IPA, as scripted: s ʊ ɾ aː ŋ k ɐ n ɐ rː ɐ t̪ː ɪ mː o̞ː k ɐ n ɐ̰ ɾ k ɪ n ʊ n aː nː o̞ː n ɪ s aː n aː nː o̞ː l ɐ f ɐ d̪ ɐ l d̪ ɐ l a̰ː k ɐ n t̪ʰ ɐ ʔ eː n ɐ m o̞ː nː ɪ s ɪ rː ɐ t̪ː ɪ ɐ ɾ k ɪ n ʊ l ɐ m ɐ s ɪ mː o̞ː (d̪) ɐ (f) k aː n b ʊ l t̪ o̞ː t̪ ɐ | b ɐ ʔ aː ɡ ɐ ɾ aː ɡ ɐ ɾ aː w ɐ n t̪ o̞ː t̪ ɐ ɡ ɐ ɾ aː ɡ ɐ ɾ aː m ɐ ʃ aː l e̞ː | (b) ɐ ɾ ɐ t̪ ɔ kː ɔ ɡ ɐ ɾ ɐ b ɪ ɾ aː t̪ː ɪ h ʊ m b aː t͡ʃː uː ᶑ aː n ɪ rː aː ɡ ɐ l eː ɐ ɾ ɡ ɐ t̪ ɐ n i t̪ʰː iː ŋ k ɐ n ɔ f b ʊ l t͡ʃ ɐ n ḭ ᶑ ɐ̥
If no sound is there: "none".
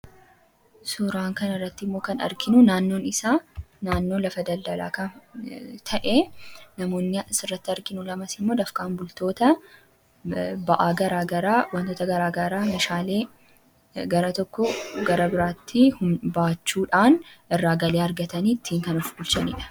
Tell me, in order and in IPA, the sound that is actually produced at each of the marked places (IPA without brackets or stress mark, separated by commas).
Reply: d̪, f, ɡ